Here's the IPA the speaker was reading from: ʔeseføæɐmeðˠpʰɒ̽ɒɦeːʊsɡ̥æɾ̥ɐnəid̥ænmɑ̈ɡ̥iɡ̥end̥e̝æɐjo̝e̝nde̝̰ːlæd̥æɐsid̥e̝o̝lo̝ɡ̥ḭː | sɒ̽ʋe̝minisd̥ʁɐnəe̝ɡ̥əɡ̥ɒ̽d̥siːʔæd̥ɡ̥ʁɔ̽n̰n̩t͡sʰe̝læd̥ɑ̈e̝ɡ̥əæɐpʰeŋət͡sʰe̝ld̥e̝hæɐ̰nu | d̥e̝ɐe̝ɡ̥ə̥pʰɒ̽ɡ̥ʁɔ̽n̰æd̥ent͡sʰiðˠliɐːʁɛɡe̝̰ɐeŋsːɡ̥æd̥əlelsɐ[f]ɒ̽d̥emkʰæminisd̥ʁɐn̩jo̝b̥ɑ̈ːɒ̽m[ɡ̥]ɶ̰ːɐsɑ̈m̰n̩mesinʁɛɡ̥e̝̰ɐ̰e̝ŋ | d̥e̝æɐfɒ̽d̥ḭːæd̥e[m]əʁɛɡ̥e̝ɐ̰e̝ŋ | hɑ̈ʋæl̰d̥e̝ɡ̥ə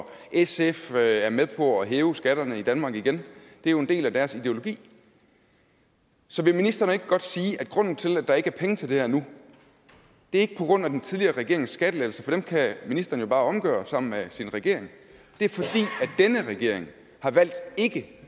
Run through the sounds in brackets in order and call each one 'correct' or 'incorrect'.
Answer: correct, correct, incorrect

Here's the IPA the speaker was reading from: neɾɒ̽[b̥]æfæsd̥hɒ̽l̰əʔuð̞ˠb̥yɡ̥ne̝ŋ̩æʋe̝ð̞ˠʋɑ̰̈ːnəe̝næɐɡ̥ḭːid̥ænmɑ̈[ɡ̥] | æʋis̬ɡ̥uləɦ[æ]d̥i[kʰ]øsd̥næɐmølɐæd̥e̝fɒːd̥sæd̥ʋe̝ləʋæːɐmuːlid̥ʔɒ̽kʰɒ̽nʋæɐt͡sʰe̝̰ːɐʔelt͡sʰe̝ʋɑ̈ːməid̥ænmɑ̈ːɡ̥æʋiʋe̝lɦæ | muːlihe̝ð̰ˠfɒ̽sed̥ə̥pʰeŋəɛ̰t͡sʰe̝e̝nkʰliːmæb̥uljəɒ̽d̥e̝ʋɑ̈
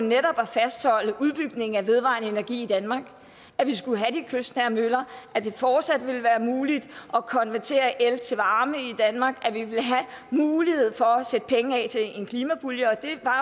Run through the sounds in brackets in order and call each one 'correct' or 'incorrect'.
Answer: correct, correct, correct, correct

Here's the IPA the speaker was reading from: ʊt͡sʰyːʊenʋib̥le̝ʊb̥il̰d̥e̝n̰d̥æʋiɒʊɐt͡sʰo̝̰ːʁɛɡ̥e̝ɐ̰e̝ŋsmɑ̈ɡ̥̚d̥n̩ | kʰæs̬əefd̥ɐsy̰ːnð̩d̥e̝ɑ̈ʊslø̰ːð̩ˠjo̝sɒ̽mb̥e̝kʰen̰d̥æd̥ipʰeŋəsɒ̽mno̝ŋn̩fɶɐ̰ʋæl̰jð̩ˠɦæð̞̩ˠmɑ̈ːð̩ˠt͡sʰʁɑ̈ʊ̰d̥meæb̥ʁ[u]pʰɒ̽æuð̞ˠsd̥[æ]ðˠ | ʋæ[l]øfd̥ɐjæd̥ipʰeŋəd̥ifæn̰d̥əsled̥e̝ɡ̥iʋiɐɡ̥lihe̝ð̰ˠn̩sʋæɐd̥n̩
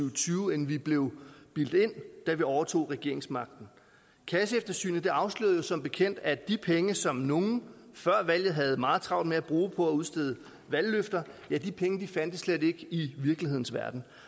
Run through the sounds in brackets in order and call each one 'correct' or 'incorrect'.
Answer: incorrect, incorrect, incorrect

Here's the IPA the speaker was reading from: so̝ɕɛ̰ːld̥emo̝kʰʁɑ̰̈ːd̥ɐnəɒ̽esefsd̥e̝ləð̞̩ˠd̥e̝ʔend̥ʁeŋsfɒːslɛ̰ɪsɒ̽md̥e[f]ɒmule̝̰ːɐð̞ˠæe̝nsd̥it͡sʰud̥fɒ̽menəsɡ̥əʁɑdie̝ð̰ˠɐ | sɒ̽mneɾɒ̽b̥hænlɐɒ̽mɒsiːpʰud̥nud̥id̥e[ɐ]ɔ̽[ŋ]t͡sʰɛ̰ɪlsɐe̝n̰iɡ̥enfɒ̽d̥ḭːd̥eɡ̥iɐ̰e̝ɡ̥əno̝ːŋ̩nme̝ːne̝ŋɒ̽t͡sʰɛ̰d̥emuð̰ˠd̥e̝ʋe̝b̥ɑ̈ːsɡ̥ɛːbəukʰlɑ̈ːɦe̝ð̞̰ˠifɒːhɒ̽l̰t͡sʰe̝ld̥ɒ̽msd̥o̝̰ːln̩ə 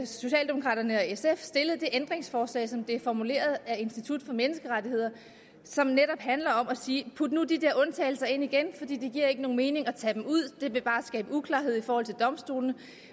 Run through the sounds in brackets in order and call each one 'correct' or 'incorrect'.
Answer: correct, correct, incorrect

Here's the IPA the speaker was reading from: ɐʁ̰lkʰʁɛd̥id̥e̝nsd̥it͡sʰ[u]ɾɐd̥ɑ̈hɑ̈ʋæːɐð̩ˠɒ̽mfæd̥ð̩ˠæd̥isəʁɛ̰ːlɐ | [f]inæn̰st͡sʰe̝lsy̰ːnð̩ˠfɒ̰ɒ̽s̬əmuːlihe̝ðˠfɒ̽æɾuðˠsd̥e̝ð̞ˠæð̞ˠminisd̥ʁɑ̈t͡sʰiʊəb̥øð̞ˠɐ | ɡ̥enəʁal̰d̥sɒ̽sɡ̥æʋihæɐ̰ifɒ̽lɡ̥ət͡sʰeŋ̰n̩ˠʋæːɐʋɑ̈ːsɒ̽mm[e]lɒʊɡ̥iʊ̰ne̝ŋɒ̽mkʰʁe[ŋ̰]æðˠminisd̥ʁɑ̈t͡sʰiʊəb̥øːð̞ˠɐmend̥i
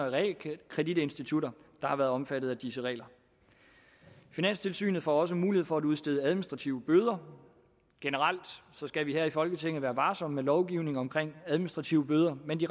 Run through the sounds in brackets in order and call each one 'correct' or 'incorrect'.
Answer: correct, correct, correct, correct

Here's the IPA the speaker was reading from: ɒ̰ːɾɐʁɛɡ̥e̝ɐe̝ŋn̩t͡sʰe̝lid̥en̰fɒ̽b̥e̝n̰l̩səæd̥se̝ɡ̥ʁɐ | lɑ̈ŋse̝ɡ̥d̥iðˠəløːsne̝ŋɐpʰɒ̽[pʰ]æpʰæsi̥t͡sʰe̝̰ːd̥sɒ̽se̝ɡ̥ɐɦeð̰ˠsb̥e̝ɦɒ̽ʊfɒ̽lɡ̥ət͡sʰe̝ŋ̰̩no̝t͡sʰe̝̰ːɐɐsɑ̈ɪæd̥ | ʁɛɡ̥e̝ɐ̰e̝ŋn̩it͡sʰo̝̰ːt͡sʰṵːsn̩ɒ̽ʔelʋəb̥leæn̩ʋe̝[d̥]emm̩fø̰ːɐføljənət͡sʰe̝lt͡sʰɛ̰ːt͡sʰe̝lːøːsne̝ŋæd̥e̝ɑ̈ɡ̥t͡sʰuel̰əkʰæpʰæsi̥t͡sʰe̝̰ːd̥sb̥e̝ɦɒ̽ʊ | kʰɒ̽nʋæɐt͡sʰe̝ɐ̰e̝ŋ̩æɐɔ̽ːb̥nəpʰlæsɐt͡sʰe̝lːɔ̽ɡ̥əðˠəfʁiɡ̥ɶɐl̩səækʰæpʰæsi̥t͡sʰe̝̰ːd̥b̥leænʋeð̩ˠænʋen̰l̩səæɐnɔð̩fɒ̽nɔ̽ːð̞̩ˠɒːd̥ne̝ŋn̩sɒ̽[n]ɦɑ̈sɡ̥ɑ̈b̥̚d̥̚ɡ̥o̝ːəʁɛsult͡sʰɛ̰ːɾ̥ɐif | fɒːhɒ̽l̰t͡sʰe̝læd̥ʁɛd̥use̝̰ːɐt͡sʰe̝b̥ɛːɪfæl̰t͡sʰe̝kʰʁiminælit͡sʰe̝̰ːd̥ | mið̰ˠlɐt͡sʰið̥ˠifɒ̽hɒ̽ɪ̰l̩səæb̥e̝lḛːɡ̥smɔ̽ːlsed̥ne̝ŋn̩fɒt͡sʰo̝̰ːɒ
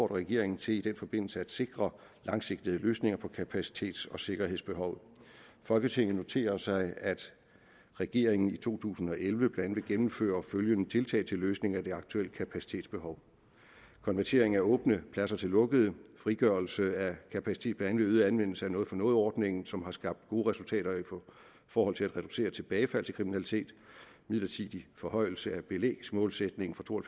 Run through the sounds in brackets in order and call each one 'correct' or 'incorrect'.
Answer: incorrect, incorrect, incorrect

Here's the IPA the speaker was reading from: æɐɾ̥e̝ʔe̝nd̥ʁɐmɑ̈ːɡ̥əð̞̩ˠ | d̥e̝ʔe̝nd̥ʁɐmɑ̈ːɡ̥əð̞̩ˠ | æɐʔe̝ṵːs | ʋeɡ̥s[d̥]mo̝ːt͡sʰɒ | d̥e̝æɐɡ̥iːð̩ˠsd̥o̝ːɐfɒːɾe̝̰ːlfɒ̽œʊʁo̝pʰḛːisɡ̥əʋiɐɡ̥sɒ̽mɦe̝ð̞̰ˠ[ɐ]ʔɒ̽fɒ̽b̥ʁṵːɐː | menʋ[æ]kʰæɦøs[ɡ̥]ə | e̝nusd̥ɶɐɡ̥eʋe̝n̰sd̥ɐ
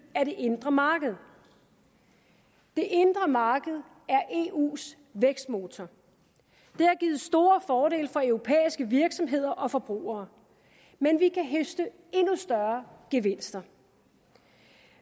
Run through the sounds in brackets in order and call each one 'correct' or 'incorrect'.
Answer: correct, correct, incorrect, incorrect

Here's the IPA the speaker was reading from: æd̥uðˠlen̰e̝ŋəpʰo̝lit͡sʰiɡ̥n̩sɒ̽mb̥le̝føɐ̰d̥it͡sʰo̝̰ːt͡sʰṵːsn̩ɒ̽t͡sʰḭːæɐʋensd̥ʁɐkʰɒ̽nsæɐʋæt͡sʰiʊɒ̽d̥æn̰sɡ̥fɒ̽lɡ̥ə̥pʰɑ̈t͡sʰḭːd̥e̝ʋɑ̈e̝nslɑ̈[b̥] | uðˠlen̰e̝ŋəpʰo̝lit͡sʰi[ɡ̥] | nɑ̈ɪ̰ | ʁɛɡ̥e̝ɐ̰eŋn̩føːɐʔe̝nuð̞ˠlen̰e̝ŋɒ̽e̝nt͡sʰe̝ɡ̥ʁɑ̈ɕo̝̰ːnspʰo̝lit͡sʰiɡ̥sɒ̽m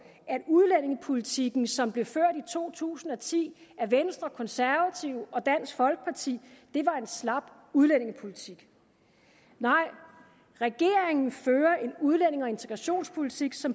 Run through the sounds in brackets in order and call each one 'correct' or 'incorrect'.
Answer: correct, correct

